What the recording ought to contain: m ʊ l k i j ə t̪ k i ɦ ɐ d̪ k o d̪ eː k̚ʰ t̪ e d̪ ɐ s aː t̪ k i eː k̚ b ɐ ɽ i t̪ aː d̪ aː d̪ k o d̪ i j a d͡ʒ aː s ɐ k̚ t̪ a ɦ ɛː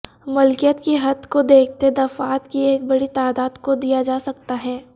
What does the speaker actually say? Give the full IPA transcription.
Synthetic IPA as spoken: m ʊ l k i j ə t̪ k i ɦ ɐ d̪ k o d̪ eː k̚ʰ t̪ e d̪ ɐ f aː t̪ k i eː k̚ b ɐ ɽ i t̪ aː d̪ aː d̪ k o d̪ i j a d͡ʒ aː s ɐ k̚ t̪ a ɦ ɛː